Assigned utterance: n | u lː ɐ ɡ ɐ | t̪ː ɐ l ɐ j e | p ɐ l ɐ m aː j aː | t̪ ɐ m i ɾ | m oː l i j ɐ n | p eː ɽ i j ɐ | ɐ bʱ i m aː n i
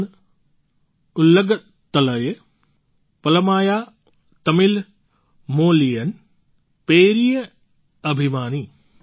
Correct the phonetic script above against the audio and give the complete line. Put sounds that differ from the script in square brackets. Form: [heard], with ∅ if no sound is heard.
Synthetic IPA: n | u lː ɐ ɡ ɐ | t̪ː ɐ l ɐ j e | p ɐ l ɐ m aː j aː | t̪ ɐ m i [l] | m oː l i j ɐ n | p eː [ɾ] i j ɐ | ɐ bʱ i m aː n i